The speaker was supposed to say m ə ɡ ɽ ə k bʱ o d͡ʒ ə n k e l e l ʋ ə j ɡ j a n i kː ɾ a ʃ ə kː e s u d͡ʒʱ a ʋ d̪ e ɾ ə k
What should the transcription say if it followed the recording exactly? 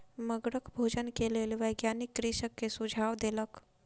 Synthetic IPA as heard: m ə ɡ ɽ ə k bʱ o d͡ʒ ə n k e l e l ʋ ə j ɡ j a n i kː ɾ i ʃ ə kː e s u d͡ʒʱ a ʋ d̪ e l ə k